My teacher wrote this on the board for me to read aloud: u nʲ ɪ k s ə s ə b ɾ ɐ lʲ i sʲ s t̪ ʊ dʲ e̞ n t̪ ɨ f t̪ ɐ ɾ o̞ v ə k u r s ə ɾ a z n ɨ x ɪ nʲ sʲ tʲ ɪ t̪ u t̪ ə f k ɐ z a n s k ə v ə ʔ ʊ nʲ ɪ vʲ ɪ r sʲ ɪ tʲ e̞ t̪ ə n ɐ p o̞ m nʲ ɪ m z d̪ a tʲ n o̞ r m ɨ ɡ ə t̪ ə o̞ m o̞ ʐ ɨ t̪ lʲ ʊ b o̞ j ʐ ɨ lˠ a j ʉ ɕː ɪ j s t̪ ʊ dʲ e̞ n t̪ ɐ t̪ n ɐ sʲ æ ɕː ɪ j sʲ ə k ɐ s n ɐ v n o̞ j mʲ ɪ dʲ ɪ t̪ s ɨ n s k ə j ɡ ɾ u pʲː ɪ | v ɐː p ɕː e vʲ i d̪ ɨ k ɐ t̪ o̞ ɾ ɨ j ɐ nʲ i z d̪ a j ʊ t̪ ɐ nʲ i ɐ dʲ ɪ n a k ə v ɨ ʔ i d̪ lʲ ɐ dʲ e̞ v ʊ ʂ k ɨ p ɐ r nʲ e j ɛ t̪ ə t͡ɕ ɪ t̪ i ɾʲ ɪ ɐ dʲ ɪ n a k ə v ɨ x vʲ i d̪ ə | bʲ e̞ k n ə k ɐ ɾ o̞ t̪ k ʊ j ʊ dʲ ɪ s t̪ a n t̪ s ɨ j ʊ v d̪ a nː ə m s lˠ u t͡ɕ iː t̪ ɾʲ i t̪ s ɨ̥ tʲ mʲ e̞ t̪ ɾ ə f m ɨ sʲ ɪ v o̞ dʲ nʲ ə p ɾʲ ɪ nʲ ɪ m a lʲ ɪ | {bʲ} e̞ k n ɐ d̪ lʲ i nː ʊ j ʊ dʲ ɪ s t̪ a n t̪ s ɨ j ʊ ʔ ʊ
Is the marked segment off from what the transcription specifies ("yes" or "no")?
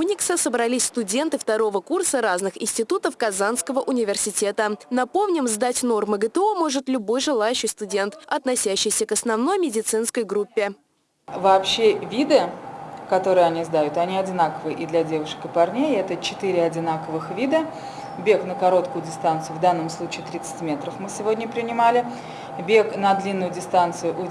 no